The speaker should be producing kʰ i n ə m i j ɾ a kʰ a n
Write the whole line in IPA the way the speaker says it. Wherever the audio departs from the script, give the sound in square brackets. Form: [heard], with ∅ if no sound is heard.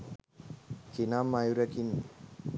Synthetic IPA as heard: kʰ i n [a] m [a] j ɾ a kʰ [i] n